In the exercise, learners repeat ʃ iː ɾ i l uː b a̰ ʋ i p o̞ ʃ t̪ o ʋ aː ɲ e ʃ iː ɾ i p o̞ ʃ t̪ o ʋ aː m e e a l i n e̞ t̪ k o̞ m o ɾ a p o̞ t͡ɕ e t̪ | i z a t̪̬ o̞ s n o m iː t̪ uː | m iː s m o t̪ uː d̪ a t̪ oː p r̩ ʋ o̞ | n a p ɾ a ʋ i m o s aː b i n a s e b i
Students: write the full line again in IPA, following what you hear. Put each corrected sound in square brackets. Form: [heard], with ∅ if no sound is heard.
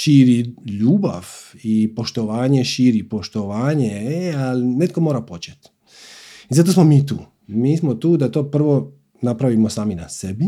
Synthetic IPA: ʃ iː ɾ i [ʎ] uː b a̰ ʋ i p o̞ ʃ t̪ o ʋ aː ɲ e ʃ iː ɾ i p o̞ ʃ t̪ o ʋ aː [ɲ] e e a l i n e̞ t̪ k o̞ m o ɾ a p o̞ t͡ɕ e t̪ | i z a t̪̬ o̞ s [m] o m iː t̪ uː | m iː s m o t̪ uː d̪ a t̪ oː p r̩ ʋ o̞ | n a p ɾ a ʋ i m o s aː [m] i n a s e b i